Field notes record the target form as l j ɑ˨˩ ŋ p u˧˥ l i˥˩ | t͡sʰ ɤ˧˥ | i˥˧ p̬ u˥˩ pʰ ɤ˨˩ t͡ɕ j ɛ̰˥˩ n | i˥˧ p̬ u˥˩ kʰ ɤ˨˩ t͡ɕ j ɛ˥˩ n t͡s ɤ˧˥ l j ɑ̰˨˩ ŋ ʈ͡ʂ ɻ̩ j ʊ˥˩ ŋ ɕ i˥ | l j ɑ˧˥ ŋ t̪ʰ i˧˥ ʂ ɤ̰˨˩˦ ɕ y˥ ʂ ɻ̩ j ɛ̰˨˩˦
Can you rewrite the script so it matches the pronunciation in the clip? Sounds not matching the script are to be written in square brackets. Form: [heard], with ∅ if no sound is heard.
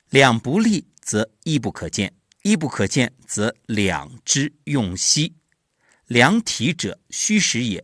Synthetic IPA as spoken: l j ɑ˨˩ ŋ p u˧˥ l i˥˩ | [t͡s] ɤ˧˥ | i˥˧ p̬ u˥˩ [kʰ] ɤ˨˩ t͡ɕ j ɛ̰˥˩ n | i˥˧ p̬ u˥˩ kʰ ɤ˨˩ t͡ɕ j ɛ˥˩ n t͡s ɤ˧˥ l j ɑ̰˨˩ ŋ ʈ͡ʂ ɻ̩ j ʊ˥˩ ŋ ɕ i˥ | l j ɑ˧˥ ŋ t̪ʰ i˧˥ [ʈ͡ʂ] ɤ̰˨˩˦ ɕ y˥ ʂ ɻ̩ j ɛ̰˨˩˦